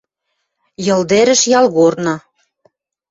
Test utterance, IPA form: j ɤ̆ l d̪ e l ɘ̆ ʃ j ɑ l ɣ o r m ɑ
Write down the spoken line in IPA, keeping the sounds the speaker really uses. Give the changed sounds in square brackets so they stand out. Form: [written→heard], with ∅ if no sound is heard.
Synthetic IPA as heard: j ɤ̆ l d̪ e [l→ɾ] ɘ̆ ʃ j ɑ l ɣ o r [m→n] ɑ